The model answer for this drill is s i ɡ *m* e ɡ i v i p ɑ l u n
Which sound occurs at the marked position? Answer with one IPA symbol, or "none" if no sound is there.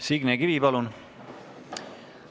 n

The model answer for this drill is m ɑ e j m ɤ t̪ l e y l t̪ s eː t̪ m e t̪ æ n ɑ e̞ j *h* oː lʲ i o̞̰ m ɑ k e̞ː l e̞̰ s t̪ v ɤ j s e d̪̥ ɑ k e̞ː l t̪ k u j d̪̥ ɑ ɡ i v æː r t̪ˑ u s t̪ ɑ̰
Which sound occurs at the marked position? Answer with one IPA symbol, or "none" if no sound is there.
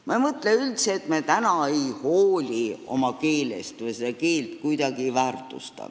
h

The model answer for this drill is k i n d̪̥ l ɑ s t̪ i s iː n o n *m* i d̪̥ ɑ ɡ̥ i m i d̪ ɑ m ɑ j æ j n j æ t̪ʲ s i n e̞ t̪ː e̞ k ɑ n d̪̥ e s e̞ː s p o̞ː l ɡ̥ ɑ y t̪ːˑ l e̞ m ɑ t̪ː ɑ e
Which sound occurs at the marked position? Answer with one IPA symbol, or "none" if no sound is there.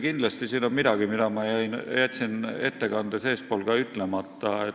m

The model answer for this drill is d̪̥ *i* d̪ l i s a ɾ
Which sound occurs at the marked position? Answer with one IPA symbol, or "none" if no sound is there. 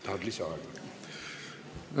a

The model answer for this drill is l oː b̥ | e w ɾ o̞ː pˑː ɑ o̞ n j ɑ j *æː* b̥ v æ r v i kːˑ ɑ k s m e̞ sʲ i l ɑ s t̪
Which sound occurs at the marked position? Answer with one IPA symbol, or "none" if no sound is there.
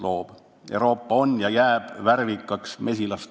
æː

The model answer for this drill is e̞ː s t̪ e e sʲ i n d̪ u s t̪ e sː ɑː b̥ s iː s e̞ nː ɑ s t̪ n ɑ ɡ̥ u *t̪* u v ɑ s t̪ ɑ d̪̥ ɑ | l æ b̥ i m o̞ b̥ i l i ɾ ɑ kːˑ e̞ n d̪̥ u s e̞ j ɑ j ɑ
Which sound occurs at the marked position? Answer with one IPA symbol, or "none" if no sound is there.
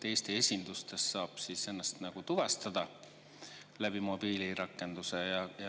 t̪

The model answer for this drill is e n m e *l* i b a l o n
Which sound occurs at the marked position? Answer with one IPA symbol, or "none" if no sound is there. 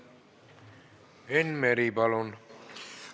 ɾ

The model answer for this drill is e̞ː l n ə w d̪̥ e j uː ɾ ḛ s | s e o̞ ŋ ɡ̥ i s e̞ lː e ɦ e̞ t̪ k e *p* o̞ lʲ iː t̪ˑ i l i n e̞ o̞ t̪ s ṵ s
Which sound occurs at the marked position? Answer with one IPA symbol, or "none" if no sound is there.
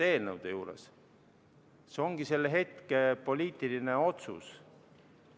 p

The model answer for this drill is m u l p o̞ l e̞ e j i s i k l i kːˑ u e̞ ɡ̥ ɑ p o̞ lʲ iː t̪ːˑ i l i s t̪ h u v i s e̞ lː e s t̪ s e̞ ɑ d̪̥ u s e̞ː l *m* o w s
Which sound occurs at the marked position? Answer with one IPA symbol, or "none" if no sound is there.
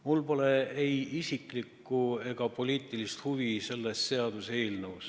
n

